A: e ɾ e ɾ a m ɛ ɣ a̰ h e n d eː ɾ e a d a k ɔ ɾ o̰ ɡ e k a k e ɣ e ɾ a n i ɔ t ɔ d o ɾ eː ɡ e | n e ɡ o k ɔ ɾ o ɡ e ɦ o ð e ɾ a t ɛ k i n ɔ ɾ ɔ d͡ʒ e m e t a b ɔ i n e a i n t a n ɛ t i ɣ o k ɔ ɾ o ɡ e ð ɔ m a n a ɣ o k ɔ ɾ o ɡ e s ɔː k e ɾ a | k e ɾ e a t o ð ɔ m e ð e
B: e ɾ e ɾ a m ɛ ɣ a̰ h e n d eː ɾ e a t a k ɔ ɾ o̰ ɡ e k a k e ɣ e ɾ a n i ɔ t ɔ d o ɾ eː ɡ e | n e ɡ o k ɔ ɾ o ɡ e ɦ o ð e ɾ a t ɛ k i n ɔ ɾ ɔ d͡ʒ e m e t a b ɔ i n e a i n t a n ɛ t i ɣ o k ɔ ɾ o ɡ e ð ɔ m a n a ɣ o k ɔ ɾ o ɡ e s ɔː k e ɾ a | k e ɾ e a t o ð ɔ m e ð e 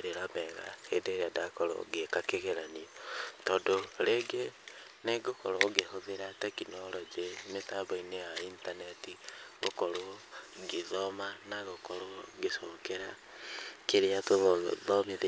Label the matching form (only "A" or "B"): A